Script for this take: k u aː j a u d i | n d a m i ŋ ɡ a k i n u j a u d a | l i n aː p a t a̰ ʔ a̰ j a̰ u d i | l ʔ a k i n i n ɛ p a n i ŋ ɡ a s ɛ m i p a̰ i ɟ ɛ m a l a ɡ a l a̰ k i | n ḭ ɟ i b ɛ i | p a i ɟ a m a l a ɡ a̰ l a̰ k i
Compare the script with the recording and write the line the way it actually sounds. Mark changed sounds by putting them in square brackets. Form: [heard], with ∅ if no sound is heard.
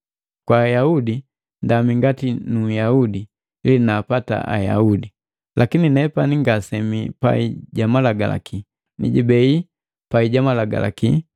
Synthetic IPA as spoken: k [w] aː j a u d i | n d a m i ŋ ɡ a [t] i n u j a u d [i] | l i n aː p a t a̰ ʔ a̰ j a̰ u d i | l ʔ a k i n i n ɛ p a n i ŋ ɡ a s ɛ m i p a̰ i ɟ [a] m a l a ɡ a l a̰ k i | n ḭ ɟ i b ɛ i | p a i ɟ a m a l a ɡ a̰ l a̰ k i